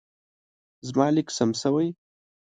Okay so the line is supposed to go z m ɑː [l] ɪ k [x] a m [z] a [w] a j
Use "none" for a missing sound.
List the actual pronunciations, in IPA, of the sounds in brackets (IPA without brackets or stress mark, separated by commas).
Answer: l, s, s, w